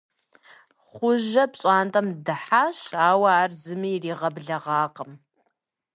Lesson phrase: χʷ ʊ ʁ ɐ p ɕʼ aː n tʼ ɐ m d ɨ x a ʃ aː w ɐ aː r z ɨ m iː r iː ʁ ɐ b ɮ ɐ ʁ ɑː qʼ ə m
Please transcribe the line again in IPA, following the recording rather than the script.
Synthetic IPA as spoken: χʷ ʊ ʒ ɐ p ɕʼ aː n tʼ ɐ m d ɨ ħ a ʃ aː w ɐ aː r z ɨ m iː r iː ʁ ɐ b ɮ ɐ ʁ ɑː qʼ ə m

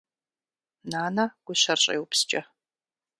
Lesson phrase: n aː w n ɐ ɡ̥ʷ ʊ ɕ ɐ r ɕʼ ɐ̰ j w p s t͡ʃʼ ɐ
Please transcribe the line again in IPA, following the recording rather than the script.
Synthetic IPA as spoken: n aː n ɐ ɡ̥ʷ ʊ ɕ ɐ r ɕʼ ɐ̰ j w p s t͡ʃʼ ɐ

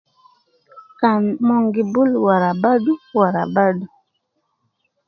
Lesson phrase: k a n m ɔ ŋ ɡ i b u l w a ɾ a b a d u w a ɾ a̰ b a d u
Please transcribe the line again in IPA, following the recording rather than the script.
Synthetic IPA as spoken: k a n m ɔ ŋ ɡ i b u l w a ɾ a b a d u w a ɾ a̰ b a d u

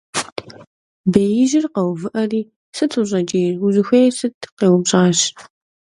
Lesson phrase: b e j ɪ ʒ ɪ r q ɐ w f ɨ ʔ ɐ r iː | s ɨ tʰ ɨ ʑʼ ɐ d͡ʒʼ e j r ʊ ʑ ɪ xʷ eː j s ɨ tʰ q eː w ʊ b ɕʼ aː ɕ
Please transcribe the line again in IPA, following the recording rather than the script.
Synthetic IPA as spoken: b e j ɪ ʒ ɪ r q ɐ w v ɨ ʔ ɐ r iː | s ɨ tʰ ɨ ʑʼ ɐ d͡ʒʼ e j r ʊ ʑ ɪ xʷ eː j s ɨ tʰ q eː w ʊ b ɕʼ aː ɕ

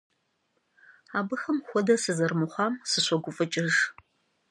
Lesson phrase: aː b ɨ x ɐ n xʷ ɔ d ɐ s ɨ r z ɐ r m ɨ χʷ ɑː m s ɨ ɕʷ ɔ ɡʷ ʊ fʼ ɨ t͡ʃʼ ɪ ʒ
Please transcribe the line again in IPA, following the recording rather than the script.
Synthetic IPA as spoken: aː b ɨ x ɐ m xʷ ɔ d ɐ s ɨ z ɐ r m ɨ χʷ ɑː m s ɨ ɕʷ ɔ ɡʷ ʊ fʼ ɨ t͡ʃʼ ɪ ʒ

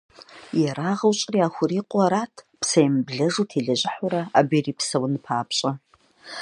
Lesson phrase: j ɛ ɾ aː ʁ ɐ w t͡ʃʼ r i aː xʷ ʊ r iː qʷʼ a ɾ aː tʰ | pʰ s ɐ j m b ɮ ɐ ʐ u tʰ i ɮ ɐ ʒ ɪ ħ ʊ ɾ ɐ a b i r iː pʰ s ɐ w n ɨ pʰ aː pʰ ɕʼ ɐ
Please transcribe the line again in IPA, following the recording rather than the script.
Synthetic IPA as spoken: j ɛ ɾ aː ʁ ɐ w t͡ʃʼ r i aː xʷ ʊ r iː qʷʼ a ɾ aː tʰ | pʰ s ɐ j m b ɮ ɐ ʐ u tʰ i ɮ ɐ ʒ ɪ ħ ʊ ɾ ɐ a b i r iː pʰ s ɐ w n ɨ pʰ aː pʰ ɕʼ ɐ

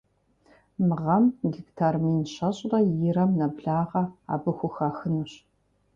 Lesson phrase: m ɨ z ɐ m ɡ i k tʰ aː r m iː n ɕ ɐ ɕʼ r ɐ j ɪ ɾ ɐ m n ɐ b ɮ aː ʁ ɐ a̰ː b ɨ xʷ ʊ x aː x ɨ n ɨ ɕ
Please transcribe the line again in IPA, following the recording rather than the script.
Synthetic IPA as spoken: m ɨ ʁ ɐ m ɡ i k tʰ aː r m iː n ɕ ɐ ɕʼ r ɐ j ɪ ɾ ɐ m n ɐ b ɮ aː ʁ ɐ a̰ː b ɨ xʷ ʊ x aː x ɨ n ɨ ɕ

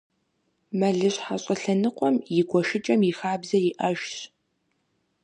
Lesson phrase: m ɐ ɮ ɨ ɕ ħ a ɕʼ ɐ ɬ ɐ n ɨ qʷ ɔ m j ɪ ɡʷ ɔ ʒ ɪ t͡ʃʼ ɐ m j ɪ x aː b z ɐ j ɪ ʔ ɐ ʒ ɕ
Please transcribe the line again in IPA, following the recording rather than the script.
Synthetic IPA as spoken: m ɐ ɮ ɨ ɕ ħ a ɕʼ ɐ ɬ ɐ n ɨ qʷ ɔ m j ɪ ɡʷ ɔ ʃ ɪ t͡ʃʼ ɐ m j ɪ x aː b z ɐ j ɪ ʔ ɐ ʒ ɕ

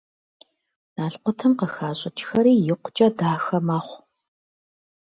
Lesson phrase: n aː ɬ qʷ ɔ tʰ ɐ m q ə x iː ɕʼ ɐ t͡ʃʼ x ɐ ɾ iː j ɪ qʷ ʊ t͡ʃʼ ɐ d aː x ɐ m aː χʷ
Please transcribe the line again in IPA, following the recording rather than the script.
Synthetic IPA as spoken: n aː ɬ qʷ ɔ tʰ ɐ m q ə x aː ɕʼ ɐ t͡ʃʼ x ɐ ɾ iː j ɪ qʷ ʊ t͡ʃʼ ɐ d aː x ɐ m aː χʷ

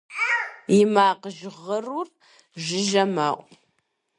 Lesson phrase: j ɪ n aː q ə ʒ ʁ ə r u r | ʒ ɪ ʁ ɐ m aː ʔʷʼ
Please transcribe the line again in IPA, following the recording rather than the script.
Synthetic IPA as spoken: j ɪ m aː q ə ʒ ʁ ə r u r | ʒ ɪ ʒ ɐ m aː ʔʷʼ

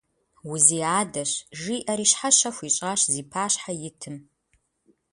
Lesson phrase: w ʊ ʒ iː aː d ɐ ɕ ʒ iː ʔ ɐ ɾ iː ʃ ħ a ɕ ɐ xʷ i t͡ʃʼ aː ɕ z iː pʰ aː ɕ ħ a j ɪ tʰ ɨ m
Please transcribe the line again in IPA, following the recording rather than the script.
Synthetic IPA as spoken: w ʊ z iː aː d ɐ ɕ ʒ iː ʔ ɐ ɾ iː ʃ ħ a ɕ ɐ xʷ i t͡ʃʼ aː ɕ z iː pʰ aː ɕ ħ a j ɪ tʰ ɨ m

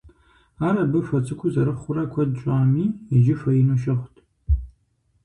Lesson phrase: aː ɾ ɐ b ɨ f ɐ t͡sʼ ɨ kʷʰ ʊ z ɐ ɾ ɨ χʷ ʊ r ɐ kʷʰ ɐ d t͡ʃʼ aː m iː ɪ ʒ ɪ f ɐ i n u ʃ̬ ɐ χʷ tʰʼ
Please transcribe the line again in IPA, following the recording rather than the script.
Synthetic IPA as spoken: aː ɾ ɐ b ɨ f ɐ t͡sʼ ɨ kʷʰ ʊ z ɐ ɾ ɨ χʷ ʊ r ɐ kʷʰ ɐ d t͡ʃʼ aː m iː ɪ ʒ ɪ f ɐ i n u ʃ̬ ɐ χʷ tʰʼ

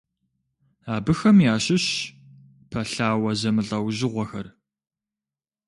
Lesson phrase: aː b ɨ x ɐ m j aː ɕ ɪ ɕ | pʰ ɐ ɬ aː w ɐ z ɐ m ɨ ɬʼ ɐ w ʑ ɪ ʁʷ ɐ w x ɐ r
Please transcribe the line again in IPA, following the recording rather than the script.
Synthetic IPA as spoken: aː b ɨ x ɐ m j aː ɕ ɪ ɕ | pʰ ɐ ɬ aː w ɐ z ɐ m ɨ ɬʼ ɐ w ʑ ɪ ʁʷ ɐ x ɐ r

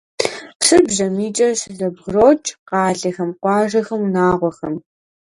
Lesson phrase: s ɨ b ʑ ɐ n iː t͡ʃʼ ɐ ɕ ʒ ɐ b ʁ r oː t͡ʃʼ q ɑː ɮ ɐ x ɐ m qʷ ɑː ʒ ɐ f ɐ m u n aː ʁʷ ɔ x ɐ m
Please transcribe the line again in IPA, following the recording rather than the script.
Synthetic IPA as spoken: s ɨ b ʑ ɐ m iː t͡ʃʼ ɐ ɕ z ɐ b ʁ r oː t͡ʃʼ q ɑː ɮ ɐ x ɐ m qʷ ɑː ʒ ɐ x ɐ m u n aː ʁʷ ɔ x ɐ m

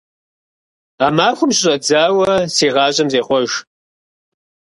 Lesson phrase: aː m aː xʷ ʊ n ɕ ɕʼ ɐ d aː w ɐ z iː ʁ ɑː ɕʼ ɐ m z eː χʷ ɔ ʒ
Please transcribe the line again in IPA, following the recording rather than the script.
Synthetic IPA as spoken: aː m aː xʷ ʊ m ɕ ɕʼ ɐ d͡z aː w ɐ s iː ʁ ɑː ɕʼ ɐ m z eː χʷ ɔ ʒ

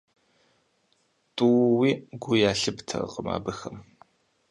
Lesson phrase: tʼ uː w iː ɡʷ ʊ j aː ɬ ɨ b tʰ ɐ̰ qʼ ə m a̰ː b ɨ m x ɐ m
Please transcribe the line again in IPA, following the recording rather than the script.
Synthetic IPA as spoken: tʼ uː w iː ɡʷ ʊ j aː ɬ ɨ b tʰ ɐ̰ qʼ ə m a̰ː b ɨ x ɐ m

